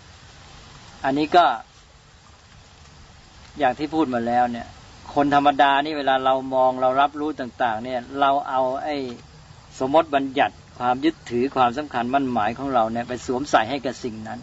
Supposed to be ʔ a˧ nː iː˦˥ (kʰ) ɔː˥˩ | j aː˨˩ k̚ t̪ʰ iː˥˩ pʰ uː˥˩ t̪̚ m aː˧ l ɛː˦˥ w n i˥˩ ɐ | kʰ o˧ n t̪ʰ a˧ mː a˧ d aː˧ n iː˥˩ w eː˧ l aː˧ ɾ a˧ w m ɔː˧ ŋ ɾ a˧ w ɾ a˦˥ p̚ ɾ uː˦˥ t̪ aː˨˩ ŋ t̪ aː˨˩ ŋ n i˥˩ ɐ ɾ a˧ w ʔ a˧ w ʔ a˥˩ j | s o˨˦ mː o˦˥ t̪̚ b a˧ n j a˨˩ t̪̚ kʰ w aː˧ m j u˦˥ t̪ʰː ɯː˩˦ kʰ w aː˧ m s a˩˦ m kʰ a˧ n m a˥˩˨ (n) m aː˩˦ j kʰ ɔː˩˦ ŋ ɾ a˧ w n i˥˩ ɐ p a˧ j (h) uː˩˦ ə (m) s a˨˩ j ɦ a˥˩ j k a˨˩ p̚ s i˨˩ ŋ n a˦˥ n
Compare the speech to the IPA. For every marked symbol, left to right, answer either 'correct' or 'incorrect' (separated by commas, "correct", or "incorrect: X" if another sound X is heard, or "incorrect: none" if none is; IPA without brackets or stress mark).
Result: incorrect: k, correct, incorrect: s, correct